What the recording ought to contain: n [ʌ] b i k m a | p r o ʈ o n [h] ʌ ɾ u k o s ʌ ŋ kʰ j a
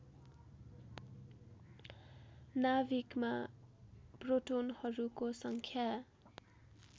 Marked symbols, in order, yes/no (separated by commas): no, yes